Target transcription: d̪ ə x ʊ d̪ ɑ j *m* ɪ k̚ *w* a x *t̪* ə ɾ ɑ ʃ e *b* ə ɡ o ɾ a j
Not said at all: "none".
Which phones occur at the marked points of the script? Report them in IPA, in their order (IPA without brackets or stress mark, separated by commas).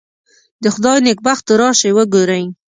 n, b, t̪, w